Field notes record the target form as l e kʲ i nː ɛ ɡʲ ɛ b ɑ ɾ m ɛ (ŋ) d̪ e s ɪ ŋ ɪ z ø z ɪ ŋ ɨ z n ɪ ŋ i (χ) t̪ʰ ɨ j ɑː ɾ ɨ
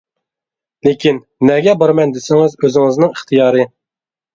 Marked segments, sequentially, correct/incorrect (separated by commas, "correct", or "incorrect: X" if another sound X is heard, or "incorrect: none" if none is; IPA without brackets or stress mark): incorrect: n, correct